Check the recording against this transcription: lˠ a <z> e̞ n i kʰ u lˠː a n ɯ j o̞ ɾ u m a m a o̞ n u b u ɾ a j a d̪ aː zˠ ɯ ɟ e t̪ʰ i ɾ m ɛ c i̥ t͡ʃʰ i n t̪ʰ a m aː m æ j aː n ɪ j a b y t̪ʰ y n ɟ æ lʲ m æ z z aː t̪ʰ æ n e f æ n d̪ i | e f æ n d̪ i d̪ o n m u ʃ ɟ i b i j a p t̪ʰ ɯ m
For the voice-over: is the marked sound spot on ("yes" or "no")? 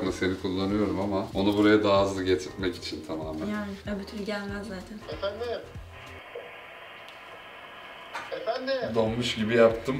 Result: no